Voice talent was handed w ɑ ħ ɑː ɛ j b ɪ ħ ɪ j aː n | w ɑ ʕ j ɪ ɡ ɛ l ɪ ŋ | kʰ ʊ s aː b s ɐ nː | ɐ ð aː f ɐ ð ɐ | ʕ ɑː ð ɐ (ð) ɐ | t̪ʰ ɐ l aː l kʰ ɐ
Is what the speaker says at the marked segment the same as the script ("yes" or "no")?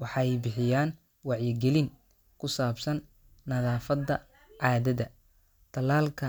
yes